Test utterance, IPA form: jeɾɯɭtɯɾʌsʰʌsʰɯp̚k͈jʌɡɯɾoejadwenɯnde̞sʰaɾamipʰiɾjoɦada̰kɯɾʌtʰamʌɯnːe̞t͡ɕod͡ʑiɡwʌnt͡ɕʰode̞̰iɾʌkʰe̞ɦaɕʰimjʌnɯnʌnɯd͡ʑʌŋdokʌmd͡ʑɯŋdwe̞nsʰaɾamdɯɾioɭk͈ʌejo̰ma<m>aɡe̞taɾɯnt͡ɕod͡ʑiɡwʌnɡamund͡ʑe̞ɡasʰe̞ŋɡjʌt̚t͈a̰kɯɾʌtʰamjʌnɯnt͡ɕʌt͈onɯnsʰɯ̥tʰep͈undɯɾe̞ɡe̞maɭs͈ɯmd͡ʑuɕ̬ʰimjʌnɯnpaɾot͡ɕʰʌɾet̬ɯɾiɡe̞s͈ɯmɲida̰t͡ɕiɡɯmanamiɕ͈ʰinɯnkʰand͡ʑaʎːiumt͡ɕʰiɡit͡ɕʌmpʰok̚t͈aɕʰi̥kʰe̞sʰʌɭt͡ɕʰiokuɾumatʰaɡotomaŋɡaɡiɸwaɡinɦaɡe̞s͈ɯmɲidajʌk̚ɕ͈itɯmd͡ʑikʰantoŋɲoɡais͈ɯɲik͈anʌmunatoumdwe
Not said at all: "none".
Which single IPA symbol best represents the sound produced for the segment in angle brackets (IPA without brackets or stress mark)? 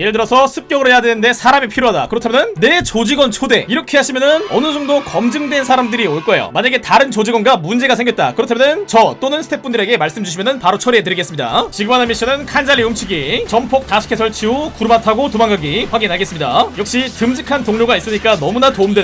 ɲ